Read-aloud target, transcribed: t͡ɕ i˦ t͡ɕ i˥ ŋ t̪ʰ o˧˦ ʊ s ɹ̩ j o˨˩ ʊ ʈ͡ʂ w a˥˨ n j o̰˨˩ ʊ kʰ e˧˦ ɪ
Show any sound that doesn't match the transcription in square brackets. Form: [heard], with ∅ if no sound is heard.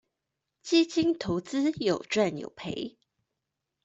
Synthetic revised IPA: t͡ɕ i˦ t͡ɕ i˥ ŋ t̪ʰ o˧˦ ʊ [t͡s] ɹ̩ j o˨˩ ʊ ʈ͡ʂ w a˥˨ n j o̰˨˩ ʊ [pʰ] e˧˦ ɪ

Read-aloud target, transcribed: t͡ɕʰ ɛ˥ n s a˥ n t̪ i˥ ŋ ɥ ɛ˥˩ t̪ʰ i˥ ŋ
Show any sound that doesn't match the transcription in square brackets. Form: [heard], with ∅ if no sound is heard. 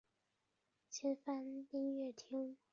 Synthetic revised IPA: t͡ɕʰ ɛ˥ n [f] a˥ n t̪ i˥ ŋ ɥ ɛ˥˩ t̪ʰ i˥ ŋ

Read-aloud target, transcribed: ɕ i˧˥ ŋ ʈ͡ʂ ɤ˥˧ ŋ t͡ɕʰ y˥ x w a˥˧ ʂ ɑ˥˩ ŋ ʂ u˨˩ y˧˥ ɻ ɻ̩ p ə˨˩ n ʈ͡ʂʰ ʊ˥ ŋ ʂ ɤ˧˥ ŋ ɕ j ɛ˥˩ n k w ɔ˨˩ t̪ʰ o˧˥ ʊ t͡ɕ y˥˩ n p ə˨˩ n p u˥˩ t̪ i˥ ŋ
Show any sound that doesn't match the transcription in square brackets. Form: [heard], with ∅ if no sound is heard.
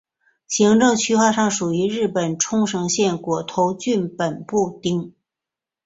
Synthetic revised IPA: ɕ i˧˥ ŋ ʈ͡ʂ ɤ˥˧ ŋ t͡ɕʰ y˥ x w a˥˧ ʂ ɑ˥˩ ŋ ʂ u˨˩ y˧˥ ɻ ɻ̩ p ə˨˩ n ʈ͡ʂʰ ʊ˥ ŋ ʂ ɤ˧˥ ŋ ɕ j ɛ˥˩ n k w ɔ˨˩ t̪ʰ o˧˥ ʊ t͡ɕ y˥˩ n p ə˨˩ n p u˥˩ t̪ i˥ ŋ

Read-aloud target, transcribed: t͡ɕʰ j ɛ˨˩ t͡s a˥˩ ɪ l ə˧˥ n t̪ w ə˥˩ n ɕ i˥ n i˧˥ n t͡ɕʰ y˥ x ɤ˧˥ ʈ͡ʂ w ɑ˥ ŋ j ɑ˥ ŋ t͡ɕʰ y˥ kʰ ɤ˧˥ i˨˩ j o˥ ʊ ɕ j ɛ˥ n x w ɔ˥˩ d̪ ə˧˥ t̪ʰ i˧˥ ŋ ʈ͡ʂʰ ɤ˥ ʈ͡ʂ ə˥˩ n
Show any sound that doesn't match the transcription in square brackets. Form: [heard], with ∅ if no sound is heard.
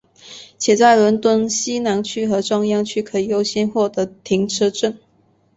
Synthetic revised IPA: t͡ɕʰ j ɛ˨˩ t͡s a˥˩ ɪ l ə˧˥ n t̪ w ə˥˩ n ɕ i˥ n [a˧˥] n t͡ɕʰ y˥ x ɤ˧˥ ʈ͡ʂ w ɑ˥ ŋ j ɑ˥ ŋ t͡ɕʰ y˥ kʰ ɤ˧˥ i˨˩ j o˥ ʊ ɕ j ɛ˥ n x w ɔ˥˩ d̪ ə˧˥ t̪ʰ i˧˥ ŋ ʈ͡ʂʰ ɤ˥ ʈ͡ʂ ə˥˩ n

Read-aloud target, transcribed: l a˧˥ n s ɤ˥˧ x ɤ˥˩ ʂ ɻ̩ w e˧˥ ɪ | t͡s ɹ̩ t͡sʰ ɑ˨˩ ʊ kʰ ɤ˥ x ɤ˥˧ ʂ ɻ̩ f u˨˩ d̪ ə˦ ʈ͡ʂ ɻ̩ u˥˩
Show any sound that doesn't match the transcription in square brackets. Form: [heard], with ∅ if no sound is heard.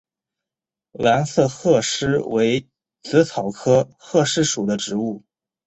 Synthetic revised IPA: l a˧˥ n s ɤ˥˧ x ɤ˥˩ ʂ ɻ̩ w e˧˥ ɪ | t͡s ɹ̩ t͡sʰ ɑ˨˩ ʊ kʰ ɤ˥ x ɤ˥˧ ʂ ɻ̩ [ʂ] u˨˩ d̪ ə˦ ʈ͡ʂ ɻ̩ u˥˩

